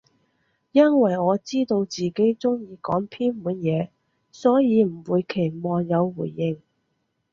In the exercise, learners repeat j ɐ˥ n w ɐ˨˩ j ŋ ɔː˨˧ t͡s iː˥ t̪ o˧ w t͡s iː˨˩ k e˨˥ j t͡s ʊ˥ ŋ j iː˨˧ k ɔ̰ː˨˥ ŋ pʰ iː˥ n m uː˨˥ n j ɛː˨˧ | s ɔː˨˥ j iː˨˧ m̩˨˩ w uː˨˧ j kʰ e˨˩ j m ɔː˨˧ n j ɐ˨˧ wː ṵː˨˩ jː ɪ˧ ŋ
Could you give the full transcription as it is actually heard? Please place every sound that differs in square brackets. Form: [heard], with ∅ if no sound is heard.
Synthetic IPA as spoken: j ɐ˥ n w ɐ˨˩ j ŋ ɔː˨˧ t͡s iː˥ t̪ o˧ w t͡s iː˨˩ k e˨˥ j t͡s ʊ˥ ŋ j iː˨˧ k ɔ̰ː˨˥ ŋ pʰ iː˥ n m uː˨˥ n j ɛː˨˧ | s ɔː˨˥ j iː˨˧ m̩˨˩ w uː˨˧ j kʰ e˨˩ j m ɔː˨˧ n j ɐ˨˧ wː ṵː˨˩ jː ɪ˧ ŋ